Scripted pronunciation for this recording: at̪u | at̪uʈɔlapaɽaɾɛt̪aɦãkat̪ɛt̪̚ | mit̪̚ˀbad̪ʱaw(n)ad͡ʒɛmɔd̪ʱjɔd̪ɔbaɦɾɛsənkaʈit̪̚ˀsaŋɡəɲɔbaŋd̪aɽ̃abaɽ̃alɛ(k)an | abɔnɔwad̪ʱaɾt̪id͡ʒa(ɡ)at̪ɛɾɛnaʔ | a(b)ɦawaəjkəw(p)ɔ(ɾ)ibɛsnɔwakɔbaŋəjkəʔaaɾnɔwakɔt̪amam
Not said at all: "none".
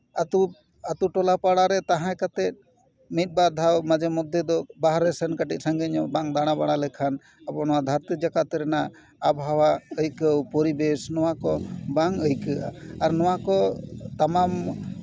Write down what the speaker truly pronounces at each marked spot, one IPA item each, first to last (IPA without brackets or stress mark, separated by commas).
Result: m, kʰ, k, b, p, ɾ